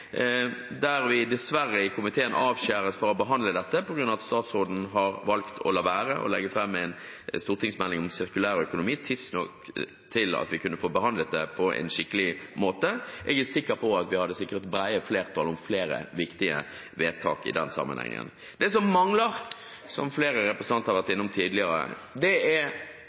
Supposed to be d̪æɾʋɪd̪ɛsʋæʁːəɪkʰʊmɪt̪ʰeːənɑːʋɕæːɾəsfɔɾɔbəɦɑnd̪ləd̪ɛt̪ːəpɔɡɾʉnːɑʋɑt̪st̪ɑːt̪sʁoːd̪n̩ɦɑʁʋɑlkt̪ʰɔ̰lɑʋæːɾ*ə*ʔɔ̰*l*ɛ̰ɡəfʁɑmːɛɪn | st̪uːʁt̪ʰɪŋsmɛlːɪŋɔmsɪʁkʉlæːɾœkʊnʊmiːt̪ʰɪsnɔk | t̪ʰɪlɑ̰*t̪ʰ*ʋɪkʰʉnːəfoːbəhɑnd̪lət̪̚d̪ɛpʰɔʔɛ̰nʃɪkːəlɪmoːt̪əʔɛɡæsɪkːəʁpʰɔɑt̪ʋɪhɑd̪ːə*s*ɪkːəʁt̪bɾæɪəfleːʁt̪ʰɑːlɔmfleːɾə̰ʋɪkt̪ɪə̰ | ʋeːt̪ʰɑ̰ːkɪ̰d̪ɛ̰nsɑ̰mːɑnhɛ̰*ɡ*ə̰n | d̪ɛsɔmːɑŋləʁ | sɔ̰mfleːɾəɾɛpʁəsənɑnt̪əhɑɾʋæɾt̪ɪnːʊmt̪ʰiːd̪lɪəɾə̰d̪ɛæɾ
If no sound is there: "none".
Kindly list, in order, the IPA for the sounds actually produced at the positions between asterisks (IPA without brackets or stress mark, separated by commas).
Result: ə, l, t̪, s, ŋ